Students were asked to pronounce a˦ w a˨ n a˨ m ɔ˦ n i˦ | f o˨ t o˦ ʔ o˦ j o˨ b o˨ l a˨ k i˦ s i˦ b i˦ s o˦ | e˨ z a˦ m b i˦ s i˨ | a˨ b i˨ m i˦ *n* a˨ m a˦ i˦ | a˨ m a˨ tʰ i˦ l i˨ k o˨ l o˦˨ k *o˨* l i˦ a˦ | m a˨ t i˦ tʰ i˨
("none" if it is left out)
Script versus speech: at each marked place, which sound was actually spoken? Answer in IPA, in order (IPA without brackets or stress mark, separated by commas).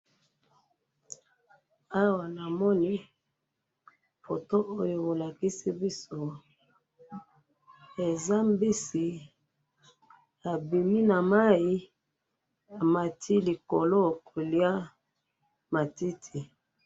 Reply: n, o˨